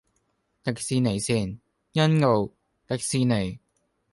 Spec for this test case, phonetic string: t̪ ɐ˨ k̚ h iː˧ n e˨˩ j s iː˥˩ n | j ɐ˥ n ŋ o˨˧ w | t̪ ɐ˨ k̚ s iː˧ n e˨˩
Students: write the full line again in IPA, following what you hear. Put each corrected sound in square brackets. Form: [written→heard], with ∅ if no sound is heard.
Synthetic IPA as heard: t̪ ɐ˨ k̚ [h→s] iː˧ n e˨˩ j s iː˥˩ n | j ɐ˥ n ŋ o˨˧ w | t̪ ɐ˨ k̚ s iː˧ n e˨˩